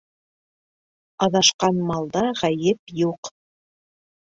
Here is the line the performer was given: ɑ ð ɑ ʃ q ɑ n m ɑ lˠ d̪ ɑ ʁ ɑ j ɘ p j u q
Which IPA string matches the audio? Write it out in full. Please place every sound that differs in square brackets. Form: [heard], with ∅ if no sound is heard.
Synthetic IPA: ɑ ð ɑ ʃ q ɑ n m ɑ lˠ d̪ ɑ ʁ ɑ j ɘ p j u q